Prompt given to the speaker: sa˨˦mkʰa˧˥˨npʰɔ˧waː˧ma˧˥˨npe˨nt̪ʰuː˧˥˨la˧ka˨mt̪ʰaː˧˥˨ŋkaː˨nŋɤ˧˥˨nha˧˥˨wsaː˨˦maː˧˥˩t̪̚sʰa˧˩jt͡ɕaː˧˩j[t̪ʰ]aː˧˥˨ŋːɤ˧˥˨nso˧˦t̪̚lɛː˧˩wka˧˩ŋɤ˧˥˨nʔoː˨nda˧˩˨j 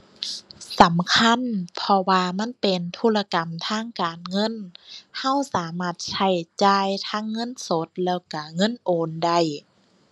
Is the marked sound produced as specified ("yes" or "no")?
yes